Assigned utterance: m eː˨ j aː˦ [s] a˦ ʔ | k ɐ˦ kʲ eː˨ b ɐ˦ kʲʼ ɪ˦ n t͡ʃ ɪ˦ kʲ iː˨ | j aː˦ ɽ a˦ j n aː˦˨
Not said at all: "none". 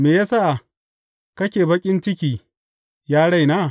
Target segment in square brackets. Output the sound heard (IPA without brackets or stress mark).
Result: s